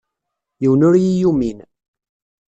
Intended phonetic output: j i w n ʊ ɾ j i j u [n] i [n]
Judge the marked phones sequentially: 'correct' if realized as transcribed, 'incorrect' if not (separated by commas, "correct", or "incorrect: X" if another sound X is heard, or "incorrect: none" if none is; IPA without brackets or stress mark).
incorrect: m, correct